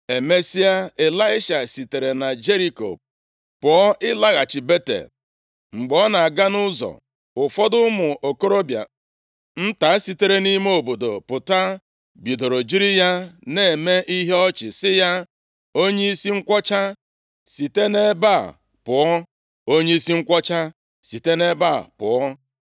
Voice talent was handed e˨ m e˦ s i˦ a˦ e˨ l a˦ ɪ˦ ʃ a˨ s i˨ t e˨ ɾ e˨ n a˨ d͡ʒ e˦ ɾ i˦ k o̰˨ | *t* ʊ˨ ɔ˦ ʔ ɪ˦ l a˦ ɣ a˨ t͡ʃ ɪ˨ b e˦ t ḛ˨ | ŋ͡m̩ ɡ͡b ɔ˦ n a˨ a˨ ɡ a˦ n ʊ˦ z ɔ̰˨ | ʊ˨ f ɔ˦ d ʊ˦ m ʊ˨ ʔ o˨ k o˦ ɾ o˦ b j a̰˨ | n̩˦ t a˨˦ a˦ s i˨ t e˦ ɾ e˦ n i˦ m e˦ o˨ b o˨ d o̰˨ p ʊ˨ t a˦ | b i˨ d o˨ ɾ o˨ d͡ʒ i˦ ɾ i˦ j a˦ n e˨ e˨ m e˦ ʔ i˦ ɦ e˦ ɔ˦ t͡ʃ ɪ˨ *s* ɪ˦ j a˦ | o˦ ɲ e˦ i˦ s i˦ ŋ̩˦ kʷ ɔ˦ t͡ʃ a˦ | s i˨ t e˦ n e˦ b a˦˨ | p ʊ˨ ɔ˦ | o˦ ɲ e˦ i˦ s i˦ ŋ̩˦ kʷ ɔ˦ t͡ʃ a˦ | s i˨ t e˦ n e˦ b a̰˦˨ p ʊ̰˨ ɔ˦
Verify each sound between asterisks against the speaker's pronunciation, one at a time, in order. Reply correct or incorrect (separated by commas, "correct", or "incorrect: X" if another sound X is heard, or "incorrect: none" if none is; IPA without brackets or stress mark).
incorrect: p, correct